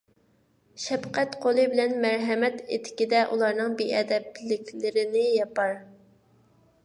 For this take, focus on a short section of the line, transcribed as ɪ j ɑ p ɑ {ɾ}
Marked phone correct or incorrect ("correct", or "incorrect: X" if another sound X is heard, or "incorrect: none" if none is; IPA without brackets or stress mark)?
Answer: correct